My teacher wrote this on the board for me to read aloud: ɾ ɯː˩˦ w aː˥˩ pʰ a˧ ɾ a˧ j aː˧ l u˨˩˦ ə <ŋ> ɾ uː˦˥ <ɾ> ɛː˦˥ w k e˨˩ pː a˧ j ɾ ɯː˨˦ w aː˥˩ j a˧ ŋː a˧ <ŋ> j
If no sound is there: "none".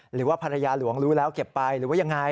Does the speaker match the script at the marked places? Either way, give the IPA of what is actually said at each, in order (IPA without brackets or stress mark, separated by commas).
ŋ, l, none